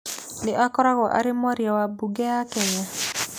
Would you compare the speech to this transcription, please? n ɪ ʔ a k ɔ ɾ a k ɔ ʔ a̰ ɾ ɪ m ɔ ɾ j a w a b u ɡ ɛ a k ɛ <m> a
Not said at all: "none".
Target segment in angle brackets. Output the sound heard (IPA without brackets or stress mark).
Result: ɲ